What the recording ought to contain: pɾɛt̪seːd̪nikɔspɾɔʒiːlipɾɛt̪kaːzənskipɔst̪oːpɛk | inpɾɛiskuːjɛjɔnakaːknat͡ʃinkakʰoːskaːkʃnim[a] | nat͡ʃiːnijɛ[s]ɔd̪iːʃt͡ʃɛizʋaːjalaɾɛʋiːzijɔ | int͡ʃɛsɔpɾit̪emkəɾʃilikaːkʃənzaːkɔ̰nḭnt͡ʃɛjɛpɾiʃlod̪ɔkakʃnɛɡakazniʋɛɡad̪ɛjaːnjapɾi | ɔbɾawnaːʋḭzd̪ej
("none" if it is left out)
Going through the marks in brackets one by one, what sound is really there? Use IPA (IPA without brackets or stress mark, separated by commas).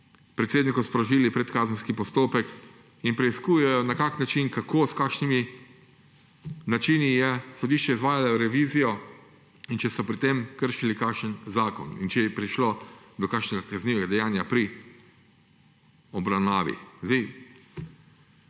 i, s